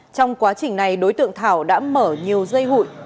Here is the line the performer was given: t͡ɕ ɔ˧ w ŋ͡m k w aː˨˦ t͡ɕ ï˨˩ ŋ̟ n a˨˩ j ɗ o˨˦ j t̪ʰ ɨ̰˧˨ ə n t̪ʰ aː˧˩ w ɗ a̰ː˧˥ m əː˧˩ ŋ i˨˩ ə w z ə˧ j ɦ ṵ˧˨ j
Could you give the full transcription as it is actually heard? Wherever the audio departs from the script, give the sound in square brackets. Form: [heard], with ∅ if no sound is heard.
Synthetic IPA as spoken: t͡ɕ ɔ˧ w ŋ͡m k w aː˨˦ t͡ɕ ï˨˩ ŋ̟ n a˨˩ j ɗ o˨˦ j [t̪] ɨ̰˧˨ ə [ŋ] t̪ʰ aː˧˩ w ɗ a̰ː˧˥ m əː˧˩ [ɲ] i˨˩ ə w z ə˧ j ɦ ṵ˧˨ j